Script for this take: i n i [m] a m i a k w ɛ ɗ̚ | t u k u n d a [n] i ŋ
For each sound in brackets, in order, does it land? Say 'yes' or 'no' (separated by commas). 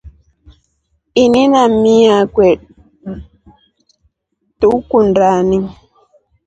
no, yes